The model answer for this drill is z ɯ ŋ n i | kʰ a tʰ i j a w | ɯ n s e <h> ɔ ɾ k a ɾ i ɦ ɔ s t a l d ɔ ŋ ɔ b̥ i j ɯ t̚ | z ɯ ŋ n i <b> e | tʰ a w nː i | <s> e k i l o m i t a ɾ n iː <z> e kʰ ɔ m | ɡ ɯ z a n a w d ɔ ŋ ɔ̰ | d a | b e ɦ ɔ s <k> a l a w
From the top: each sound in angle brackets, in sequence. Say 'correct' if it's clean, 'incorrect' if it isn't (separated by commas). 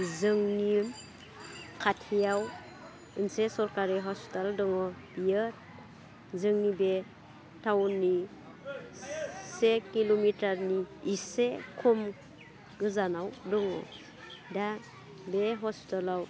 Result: incorrect, correct, correct, incorrect, incorrect